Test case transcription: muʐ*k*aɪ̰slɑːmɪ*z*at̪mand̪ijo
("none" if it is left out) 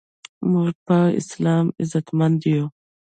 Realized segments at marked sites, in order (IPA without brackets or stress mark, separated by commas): p, z